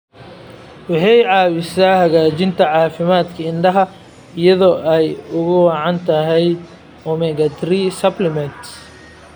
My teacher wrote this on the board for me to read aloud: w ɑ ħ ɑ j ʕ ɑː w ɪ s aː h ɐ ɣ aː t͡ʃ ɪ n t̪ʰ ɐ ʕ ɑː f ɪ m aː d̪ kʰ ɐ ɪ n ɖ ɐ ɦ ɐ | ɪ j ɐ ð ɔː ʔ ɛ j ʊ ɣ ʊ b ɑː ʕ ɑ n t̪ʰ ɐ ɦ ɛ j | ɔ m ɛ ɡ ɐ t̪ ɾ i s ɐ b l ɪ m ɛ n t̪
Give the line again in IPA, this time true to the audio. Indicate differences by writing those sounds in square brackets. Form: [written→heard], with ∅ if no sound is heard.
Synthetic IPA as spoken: w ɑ ħ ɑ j ʕ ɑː w ɪ s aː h ɐ ɣ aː t͡ʃ ɪ n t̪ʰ ɐ ʕ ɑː f ɪ m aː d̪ kʰ ɐ ɪ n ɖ ɐ ɦ ɐ | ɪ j ɐ ð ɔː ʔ ɛ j ʊ ɣ ʊ [b→w] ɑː ʕ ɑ n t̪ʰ ɐ ɦ ɛ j | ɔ m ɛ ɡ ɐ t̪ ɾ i s ɐ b l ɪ m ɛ n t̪

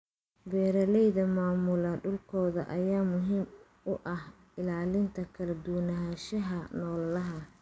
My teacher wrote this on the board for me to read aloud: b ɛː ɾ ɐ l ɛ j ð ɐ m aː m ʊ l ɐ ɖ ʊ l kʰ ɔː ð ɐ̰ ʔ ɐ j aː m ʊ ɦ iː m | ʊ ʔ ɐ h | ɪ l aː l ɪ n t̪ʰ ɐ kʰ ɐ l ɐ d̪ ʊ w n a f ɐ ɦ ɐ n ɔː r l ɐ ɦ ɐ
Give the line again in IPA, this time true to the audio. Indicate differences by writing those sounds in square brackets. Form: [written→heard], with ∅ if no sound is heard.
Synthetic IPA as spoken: b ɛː ɾ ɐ l ɛ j ð ɐ m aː m ʊ l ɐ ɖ ʊ l kʰ ɔː ð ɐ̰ ʔ ɐ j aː m ʊ ɦ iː m | ʊ ʔ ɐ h | ɪ l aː l ɪ n t̪ʰ ɐ kʰ ɐ l ɐ d̪ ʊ w n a [f→ʃ] ɐ ɦ ɐ n ɔː [r→l] l ɐ ɦ ɐ

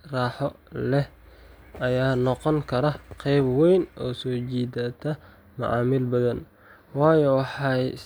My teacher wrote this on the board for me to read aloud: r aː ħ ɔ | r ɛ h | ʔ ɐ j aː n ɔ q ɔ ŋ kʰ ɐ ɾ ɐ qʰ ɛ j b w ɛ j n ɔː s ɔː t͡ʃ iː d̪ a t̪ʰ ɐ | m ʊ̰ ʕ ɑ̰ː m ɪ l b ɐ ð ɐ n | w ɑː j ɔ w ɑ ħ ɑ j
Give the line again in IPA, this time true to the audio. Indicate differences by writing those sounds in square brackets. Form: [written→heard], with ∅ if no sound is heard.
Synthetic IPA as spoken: r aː ħ ɔ | [r→l] ɛ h | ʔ ɐ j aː n ɔ q ɔ ŋ kʰ ɐ ɾ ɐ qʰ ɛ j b w ɛ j n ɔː s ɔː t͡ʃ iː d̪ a t̪ʰ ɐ | m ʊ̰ ʕ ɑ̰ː m ɪ l b ɐ ð ɐ n | w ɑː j ɔ w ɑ ħ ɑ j

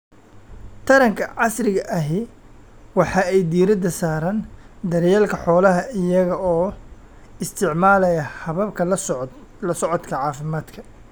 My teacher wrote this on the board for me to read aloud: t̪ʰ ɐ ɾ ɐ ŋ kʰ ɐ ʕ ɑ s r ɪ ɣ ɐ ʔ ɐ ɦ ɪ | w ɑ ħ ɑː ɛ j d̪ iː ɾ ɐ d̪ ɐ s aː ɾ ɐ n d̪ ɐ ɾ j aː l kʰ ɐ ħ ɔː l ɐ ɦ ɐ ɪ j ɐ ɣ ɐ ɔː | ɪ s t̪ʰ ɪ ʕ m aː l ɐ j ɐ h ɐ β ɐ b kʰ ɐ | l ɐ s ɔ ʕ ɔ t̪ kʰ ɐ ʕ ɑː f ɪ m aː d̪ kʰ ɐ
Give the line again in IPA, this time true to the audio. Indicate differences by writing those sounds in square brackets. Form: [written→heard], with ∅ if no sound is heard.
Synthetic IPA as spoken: t̪ʰ ɐ ɾ ɐ ŋ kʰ ɐ ʕ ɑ s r ɪ ɣ ɐ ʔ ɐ ɦ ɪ | w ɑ ħ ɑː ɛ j d̪ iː ɾ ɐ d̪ ɐ s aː ɾ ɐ n d̪ ɐ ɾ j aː l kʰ ɐ ħ ɔː l ɐ ɦ ɐ ɪ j ɐ ɣ ɐ ɔː | ɪ s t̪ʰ ɪ ʕ m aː l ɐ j ɐ h ɐ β ɐ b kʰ ɐ | l ɐ s ɔ ʕ ɔ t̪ kʰ ɐ ʕ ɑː f ɪ m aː d̪ kʰ ɐ

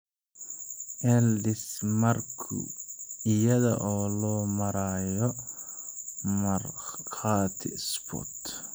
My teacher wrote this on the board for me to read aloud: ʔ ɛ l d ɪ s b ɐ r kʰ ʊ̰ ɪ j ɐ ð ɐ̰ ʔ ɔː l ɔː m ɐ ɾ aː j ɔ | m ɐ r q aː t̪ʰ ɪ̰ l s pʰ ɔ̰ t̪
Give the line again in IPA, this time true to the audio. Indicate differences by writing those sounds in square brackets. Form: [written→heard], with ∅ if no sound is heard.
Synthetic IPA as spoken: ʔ ɛ l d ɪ s [b→m] ɐ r kʰ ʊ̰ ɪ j ɐ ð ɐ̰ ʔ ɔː l ɔː m ɐ ɾ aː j ɔ | m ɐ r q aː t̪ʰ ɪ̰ [l→∅] s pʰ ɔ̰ t̪

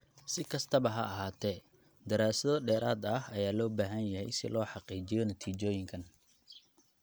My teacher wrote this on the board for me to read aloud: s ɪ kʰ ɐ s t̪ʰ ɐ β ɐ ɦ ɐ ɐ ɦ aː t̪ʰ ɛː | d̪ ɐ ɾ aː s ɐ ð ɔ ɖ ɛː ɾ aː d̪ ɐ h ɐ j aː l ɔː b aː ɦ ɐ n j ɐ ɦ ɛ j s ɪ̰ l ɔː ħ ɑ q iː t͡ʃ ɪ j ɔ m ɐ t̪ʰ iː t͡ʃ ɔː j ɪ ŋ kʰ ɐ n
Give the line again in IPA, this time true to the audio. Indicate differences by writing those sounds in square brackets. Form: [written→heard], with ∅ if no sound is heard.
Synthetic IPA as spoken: s ɪ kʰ ɐ s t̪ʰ ɐ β ɐ ɦ ɐ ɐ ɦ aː t̪ʰ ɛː | d̪ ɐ ɾ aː s ɐ ð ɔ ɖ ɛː ɾ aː d̪ ɐ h ɐ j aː l ɔː b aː ɦ ɐ n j ɐ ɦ ɛ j s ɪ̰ l ɔː ħ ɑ q iː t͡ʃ ɪ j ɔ [m→n] ɐ t̪ʰ iː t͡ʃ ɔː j ɪ ŋ kʰ ɐ n

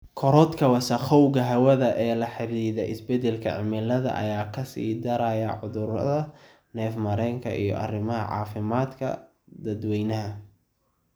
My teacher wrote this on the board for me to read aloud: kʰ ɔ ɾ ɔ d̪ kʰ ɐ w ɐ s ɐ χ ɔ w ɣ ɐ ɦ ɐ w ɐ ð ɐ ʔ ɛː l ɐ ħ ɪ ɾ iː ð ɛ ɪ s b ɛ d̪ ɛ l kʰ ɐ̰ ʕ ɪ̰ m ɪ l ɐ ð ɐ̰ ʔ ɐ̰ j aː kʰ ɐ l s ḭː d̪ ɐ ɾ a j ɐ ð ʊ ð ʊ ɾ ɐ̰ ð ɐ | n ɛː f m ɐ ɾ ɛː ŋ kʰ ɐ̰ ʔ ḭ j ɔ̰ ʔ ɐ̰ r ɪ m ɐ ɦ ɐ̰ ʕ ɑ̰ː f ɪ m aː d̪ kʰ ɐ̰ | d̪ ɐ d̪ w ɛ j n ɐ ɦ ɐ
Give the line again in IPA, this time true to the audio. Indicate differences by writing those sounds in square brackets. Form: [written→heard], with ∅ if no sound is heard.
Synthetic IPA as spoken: kʰ ɔ ɾ ɔ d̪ kʰ ɐ w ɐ s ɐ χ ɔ w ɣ ɐ ɦ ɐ w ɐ ð ɐ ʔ ɛː l ɐ ħ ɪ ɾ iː ð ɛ ɪ s b ɛ d̪ ɛ l kʰ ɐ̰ ʕ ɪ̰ m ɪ l ɐ ð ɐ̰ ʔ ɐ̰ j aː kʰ ɐ [l→∅] s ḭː d̪ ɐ ɾ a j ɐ [ð→ʕ] ʊ ð ʊ ɾ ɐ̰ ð ɐ | n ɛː f m ɐ ɾ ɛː ŋ kʰ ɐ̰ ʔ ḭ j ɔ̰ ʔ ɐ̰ r ɪ m ɐ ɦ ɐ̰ ʕ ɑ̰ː f ɪ m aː d̪ kʰ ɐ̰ | d̪ ɐ d̪ w ɛ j n ɐ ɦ ɐ

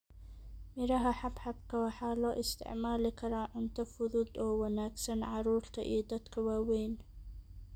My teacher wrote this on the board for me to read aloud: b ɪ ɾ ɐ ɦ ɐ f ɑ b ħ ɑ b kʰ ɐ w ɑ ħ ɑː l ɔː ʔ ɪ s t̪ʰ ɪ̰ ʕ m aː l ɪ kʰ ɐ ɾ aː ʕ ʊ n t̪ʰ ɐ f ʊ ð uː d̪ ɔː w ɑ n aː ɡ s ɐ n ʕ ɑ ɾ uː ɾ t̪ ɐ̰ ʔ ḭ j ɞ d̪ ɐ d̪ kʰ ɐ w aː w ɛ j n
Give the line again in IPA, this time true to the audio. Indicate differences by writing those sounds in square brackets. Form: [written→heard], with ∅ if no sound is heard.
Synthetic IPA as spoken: [b→m] ɪ ɾ ɐ ɦ ɐ [f→ħ] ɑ b ħ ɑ b kʰ ɐ w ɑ ħ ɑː l ɔː ʔ ɪ s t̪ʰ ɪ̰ ʕ m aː l ɪ kʰ ɐ ɾ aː ʕ ʊ n t̪ʰ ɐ f ʊ ð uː d̪ ɔː w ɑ n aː ɡ s ɐ n ʕ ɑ ɾ uː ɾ [t̪→t̪ʰ] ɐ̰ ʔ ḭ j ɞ d̪ ɐ d̪ kʰ ɐ w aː w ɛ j n

